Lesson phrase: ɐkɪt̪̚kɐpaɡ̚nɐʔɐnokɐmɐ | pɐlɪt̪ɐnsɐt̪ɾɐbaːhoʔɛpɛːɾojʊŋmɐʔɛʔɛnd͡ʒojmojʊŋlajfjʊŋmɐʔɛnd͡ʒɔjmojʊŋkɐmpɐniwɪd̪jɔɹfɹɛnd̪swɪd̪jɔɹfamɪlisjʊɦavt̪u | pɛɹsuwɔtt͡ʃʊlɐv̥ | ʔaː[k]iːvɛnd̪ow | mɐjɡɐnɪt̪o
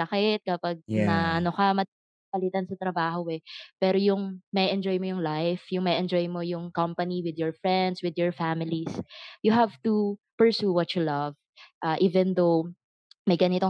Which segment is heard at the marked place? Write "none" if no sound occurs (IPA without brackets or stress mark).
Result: ʔ